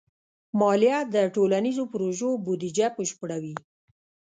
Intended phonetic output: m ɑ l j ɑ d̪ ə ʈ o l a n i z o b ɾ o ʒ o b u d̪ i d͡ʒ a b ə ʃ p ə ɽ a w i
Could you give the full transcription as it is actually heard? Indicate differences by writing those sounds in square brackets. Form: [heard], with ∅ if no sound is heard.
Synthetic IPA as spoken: m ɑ l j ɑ d̪ ə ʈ o l a n i z o [p] ɾ o ʒ o b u d̪ i d͡ʒ a [p] ə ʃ p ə ɽ a w i

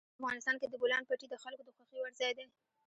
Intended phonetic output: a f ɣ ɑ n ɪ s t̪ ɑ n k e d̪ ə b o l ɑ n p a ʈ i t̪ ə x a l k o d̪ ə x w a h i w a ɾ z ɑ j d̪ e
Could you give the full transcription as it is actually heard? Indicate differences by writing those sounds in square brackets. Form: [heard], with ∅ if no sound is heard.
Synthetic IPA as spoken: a f ɣ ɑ n ɪ s t̪ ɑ n k e d̪ ə b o l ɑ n p a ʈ i [d̪] ə x a l k o d̪ ə x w a [x] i w a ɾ z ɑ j d̪ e

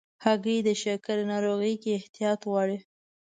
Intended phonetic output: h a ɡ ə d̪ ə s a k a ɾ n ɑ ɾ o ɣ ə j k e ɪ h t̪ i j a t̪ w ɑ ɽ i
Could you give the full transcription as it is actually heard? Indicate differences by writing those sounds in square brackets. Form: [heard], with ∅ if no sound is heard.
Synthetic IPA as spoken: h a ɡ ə d̪ ə [ʃ] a k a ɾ n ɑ ɾ o ɣ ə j k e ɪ h t̪ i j [ɑ] t̪ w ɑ ɽ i

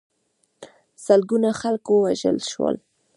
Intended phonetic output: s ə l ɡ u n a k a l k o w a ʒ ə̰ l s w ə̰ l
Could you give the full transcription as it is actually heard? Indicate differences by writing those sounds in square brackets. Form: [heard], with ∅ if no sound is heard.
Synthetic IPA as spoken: s ə l ɡ u n a [x] a l k o w a ʒ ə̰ l [ʃ] w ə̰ l

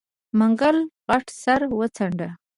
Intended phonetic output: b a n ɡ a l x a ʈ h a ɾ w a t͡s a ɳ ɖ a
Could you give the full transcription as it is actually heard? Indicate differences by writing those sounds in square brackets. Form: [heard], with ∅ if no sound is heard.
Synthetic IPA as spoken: [m] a [ŋ] ɡ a l [ɣ] a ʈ [s] a ɾ w [ə] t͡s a ɳ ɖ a

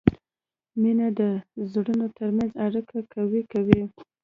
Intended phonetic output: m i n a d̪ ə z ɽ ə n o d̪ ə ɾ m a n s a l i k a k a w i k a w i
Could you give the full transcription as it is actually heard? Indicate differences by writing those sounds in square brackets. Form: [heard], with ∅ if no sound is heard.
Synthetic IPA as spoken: m i n a d̪ ə z ɽ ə n o [t̪] ə ɾ m a n [z] a [ɽ] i k a k a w i k a w i

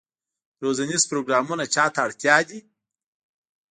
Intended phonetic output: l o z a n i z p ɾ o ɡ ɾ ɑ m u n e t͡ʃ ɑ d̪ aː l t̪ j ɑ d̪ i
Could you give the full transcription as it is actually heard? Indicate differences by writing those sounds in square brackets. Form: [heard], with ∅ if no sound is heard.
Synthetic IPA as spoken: [ɾ] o z a n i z p ɾ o ɡ ɾ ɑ m u n [a] t͡ʃ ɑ [t̪] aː [ɽ] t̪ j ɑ d̪ i

